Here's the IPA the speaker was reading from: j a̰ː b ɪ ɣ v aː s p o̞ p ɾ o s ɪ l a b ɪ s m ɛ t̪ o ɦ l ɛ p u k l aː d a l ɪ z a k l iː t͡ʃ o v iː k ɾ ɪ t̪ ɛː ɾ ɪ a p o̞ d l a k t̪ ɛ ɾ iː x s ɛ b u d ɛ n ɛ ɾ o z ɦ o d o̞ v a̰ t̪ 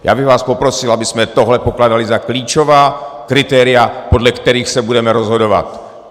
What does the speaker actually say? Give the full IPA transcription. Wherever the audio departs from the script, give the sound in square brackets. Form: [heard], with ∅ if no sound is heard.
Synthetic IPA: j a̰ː b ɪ ɣ v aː s p o̞ p ɾ o s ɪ l a b ɪ s m ɛ t̪ o ɦ l ɛ p [o] k l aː d a l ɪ z a k l iː t͡ʃ o v [aː] k ɾ ɪ t̪ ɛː ɾ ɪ a p o̞ d l [ɛ] k t̪ ɛ ɾ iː x s ɛ b u d ɛ [m] ɛ ɾ o z ɦ o d o̞ v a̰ t̪